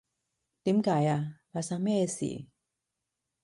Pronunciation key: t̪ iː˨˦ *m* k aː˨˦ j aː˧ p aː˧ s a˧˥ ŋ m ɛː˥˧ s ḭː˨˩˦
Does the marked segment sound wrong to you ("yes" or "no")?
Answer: no